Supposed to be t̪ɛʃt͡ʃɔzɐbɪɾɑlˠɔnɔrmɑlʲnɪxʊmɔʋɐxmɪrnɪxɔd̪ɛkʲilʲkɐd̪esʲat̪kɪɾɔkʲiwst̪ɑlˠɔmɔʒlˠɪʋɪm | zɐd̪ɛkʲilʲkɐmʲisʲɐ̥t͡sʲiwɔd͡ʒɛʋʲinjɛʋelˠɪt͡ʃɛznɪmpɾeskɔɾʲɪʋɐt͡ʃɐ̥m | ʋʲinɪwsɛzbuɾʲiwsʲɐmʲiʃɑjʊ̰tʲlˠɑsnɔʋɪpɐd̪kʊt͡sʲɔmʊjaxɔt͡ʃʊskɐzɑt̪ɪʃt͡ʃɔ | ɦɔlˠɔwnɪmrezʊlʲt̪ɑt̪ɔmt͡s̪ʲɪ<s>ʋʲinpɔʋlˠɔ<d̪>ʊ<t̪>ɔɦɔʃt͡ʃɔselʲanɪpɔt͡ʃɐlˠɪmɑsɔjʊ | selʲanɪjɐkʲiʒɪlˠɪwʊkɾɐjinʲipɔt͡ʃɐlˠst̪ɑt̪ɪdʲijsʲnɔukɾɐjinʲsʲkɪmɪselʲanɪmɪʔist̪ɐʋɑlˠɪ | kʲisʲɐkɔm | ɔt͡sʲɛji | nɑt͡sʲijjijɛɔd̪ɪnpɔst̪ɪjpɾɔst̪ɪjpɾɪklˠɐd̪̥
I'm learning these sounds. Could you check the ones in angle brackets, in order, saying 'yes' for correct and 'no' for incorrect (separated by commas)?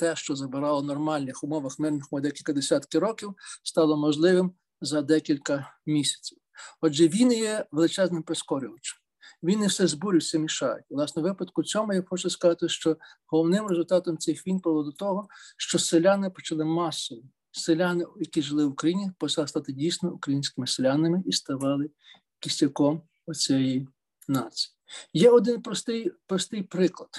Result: no, yes, yes